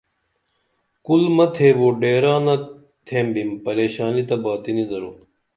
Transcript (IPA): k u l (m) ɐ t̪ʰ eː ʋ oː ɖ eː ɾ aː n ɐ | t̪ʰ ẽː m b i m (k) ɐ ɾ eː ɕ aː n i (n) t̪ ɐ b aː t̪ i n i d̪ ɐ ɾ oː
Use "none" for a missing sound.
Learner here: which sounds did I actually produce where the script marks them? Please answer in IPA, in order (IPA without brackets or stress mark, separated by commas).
m, p, none